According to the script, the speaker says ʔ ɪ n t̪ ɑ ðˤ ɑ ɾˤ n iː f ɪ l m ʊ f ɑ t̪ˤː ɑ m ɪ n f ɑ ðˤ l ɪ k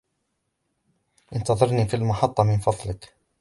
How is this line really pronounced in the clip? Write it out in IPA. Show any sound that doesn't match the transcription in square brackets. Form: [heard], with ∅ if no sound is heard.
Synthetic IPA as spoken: ʔ ɪ n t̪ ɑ ðˤ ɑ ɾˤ n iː f [i] l m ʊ [ħ] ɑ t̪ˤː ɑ m ɪ n f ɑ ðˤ l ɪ k